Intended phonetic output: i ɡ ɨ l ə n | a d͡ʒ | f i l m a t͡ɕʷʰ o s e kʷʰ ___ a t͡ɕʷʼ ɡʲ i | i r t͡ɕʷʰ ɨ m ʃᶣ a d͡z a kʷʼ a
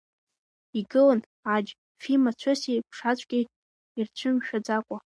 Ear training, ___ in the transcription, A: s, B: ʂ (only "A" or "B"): B